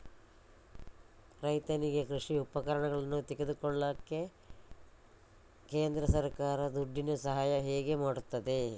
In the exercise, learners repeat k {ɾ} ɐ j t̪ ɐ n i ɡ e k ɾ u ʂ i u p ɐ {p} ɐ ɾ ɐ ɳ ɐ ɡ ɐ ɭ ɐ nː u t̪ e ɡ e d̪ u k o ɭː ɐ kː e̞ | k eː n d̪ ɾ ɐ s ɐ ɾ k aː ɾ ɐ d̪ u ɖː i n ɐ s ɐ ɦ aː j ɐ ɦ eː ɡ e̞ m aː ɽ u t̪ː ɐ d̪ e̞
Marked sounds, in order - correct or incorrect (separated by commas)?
correct, incorrect